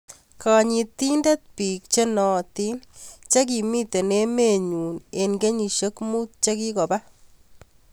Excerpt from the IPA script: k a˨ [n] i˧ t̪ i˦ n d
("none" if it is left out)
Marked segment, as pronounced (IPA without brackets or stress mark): ɲ